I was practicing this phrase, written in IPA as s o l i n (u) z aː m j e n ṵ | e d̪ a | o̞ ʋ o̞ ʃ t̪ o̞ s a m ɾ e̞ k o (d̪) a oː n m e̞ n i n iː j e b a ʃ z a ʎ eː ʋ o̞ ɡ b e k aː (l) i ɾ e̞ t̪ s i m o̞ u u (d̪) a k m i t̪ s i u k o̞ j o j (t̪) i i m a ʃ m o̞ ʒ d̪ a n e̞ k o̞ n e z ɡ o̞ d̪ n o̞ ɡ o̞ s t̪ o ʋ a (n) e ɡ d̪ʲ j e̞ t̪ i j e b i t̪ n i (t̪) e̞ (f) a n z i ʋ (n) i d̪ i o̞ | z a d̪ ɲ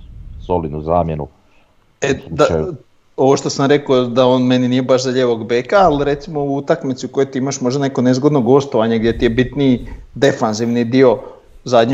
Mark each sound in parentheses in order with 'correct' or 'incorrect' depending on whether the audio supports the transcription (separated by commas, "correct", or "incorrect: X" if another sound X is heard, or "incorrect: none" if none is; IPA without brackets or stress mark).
correct, correct, correct, incorrect: t̪, correct, incorrect: ɲ, incorrect: d̪, correct, correct